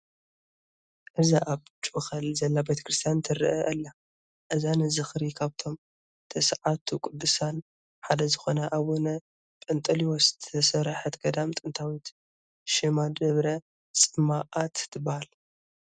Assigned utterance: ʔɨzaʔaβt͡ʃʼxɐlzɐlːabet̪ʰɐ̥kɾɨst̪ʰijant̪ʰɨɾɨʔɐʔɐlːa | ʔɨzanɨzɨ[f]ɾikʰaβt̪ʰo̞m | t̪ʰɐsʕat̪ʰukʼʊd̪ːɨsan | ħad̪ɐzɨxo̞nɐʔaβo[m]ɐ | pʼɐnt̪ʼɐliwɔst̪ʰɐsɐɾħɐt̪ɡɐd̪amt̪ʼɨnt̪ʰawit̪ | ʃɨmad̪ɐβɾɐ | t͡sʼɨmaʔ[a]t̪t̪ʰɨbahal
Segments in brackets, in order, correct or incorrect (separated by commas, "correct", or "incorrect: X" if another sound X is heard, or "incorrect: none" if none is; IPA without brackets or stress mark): incorrect: x, incorrect: n, correct